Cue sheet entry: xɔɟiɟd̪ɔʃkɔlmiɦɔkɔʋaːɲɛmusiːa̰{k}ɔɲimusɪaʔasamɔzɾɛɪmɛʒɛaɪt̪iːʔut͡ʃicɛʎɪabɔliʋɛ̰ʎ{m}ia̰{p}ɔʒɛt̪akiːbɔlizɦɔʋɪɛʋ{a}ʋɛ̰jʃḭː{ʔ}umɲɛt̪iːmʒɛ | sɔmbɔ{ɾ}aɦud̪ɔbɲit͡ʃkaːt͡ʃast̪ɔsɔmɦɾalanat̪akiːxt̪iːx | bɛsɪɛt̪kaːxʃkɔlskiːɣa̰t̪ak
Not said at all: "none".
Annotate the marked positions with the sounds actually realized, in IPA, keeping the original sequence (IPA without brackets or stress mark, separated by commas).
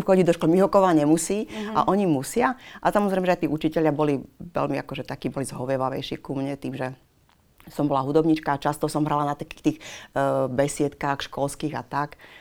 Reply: ʔ, m, k, a, k, l